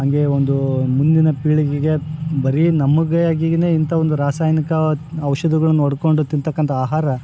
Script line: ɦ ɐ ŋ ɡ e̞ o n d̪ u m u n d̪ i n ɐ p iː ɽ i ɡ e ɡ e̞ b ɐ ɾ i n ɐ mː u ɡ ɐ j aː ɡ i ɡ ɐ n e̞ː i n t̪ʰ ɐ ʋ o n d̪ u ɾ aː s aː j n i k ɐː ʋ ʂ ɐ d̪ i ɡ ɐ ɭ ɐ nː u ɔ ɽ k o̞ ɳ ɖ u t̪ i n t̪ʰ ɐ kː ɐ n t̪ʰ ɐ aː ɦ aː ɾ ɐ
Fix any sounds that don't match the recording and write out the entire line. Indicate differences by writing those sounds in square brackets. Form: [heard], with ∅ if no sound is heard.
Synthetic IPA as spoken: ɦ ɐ ŋ ɡ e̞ o n d̪ u m u n d̪ i n ɐ p iː [ɭ] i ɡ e ɡ e̞ b ɐ ɾ i n ɐ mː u ɡ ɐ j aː ɡ i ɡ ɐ n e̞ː i n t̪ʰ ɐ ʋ o n d̪ u ɾ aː s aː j n i k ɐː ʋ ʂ ɐ d̪ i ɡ ɐ ɭ ɐ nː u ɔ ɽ k o̞ ɳ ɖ u t̪ i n [t̪] ɐ kː ɐ n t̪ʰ ɐ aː ɦ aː ɾ ɐ